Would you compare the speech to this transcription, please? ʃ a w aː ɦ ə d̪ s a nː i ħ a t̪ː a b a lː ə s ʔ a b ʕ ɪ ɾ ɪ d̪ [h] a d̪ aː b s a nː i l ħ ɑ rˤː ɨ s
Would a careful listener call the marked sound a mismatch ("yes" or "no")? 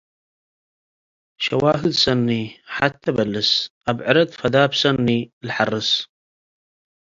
yes